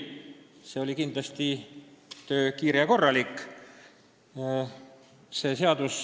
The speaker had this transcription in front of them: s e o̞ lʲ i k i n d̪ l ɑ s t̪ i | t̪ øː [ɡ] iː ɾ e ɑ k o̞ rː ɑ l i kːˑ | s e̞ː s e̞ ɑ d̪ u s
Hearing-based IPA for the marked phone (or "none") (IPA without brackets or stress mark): k